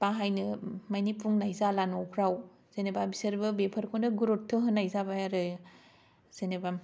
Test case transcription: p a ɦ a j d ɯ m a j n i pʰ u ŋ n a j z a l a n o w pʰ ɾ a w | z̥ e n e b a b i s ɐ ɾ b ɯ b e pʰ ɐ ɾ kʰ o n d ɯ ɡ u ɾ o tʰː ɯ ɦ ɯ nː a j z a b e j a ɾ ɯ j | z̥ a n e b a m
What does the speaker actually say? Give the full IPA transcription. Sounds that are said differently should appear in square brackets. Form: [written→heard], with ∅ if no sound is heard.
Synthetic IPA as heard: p a ɦ a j [d→n] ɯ m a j n i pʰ u ŋ n a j z a l a n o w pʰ ɾ a w | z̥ e n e b a b i s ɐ ɾ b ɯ b e pʰ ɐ ɾ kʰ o n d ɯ ɡ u ɾ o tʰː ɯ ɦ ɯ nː a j z a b [e→a] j a ɾ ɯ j | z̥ [a→e] n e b a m